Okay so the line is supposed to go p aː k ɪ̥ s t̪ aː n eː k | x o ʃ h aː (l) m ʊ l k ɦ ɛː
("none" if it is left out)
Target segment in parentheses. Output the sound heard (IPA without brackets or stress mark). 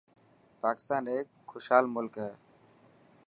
l